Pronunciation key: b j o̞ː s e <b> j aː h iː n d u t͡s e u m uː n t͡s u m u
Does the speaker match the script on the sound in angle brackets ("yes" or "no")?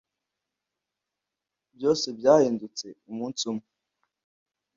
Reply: yes